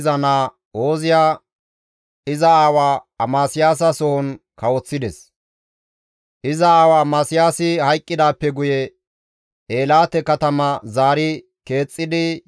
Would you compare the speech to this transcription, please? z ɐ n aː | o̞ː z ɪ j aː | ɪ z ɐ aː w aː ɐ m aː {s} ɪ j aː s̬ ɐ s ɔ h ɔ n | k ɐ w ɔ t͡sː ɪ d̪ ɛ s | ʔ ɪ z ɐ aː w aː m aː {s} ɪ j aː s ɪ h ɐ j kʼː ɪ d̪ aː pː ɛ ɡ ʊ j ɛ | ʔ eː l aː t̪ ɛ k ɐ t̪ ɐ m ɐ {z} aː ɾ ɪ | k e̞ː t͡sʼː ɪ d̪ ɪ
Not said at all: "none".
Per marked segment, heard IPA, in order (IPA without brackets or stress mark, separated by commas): s, s, z